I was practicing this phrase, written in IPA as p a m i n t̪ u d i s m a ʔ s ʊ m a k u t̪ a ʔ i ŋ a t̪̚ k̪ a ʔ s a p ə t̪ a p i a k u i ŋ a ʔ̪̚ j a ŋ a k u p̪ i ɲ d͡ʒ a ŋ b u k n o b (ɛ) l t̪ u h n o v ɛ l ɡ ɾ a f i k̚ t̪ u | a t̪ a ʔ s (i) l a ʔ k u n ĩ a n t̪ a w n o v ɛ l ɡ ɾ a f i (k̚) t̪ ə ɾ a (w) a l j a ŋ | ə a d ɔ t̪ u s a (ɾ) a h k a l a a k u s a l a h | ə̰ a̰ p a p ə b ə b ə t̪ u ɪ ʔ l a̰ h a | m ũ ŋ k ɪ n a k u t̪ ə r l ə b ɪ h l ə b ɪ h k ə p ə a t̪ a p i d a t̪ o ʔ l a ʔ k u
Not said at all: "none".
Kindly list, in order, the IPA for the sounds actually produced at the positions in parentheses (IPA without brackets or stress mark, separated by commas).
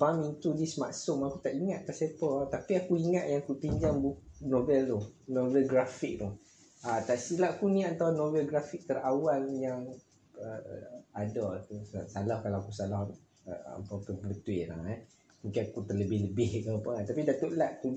ɛ, i, k̚, w, l